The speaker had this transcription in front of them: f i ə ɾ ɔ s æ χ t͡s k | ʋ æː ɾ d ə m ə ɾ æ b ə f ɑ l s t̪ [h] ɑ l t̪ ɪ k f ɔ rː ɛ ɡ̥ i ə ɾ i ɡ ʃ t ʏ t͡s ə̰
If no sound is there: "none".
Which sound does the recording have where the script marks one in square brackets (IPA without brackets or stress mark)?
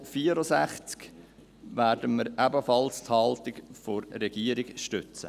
h